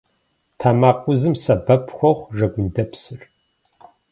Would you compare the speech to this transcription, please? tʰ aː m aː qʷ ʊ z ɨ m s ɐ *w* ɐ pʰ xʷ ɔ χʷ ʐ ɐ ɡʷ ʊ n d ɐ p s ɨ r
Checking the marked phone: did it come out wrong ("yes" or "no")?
yes